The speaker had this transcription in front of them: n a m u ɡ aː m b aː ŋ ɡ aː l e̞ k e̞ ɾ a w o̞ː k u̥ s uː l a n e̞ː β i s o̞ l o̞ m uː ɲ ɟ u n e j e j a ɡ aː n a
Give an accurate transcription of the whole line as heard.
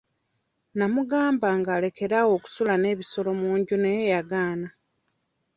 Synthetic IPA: n a m u ɡ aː m b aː ŋ ɡ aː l e̞ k e̞ ɾ a w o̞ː k u̥ s u l a n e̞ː β i s o̞ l o̞ m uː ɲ ɟ u n e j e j a ɡ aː n a